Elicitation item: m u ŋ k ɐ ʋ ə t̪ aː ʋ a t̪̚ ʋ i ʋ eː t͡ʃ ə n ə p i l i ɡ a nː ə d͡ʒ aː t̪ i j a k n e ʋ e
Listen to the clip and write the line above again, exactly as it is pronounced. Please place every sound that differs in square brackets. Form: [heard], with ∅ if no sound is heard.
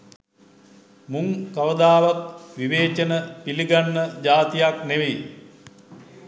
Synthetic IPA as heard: m u ŋ k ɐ ʋ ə [d̪] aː ʋ a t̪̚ ʋ i ʋ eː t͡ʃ ə n ə p i l i ɡ a nː ə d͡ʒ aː t̪ i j a k n e ʋ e